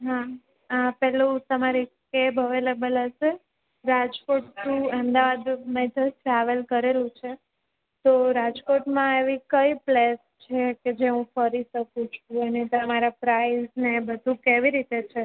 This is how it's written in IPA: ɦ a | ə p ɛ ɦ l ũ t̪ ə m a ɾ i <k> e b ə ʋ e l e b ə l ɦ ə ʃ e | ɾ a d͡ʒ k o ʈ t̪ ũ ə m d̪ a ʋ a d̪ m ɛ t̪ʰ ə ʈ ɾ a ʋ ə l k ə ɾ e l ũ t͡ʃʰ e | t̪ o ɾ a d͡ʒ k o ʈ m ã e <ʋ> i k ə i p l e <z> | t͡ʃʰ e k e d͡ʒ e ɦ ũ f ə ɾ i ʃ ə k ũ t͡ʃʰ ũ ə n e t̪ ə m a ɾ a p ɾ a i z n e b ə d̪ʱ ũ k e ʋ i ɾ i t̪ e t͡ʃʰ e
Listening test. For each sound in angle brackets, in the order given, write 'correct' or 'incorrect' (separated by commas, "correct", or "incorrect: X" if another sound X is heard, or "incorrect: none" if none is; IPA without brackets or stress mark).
correct, correct, incorrect: s